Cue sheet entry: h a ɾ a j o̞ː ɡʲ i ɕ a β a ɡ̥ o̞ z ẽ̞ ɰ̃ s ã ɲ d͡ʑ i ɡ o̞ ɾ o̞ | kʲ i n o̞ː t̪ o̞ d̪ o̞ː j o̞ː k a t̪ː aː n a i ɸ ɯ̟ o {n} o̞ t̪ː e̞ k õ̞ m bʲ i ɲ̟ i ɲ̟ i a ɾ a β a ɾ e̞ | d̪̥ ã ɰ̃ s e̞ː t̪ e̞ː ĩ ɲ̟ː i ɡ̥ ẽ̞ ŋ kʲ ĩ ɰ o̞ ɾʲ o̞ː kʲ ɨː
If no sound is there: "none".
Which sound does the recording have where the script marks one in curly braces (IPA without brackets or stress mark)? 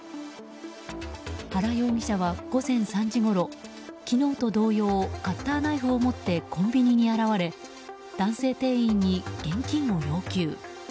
m